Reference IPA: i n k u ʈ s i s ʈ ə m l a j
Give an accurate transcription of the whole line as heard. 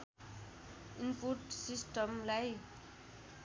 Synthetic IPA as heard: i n p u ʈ s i s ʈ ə m l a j